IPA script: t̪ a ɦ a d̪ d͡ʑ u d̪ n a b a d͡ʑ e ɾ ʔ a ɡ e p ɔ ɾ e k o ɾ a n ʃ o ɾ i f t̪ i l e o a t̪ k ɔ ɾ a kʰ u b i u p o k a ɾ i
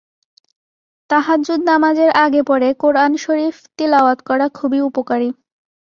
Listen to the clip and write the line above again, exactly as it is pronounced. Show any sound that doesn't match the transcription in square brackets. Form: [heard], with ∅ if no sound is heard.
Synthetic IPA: t̪ a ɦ a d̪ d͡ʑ u d̪ n a [m] a d͡ʑ e ɾ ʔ a ɡ e p ɔ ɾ e k o ɾ a n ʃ o ɾ i f t̪ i l [a] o a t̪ k ɔ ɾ a kʰ u b i u p o k a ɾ i